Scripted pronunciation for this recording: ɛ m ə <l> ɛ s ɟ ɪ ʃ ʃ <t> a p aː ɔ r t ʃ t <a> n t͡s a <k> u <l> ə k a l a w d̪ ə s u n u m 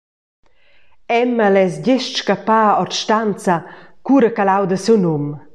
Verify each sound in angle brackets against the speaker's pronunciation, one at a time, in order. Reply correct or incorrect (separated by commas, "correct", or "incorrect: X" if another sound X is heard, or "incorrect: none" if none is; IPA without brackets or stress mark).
correct, incorrect: k, correct, correct, incorrect: ɾ